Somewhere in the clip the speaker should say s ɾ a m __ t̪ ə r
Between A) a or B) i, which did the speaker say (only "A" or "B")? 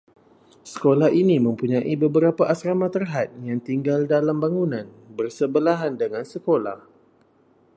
A